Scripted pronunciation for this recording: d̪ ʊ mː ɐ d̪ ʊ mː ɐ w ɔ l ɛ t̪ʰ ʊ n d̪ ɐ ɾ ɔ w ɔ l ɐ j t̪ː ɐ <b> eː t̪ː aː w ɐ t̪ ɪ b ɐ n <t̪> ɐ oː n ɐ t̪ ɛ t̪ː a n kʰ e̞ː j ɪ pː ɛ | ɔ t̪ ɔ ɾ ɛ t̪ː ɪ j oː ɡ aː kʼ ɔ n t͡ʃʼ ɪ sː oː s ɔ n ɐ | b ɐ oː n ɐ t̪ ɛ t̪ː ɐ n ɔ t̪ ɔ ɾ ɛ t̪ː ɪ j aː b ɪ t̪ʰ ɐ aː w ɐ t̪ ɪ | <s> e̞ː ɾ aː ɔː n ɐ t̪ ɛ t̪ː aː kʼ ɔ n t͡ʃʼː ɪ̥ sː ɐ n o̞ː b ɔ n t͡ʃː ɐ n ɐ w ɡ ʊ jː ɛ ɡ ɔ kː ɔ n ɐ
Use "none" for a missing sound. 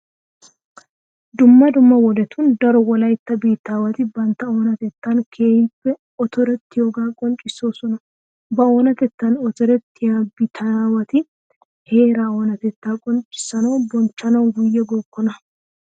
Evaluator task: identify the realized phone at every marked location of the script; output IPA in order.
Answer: b, t̪, h

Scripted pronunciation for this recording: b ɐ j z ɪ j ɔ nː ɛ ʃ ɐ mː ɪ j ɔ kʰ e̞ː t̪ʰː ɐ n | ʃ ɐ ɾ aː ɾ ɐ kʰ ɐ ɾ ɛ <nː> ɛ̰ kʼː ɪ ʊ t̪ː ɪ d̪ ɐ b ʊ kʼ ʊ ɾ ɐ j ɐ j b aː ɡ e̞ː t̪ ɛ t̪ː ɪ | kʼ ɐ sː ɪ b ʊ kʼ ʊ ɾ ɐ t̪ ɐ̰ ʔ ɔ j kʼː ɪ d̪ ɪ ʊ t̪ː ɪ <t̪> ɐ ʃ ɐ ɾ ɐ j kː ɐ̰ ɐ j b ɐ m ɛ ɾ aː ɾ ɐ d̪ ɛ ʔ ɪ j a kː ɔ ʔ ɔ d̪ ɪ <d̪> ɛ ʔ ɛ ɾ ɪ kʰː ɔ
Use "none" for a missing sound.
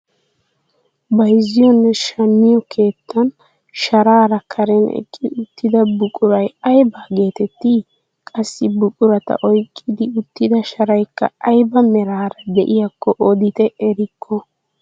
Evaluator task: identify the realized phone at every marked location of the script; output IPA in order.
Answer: n, d̪, t̪

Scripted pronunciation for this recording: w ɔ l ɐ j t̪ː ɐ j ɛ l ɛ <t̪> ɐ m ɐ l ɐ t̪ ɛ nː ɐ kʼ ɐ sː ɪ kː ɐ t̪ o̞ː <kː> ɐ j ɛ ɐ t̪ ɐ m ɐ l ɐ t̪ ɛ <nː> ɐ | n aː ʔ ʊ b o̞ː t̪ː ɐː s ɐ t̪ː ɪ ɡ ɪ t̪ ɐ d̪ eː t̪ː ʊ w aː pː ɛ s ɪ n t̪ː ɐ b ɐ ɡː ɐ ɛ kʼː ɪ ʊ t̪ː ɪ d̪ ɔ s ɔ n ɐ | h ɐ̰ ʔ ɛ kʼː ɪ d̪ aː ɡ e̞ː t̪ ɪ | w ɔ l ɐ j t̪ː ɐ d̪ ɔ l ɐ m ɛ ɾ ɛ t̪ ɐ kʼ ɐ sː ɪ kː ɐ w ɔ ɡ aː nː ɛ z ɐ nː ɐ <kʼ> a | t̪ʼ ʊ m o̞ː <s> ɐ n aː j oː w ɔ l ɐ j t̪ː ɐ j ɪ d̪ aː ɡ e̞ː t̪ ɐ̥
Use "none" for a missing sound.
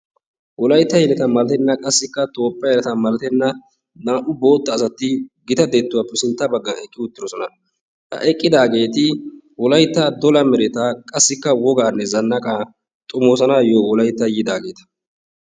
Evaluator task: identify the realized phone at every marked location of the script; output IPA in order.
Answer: t̪, pː, nː, kʼ, s

